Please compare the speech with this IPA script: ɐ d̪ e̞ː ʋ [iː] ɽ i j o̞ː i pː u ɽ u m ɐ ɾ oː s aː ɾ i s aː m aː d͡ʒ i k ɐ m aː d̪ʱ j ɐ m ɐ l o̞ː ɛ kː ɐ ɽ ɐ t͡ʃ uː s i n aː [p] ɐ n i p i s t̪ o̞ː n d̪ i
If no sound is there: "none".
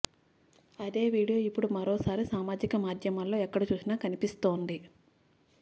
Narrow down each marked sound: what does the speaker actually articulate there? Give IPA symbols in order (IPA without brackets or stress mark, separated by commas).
iː, k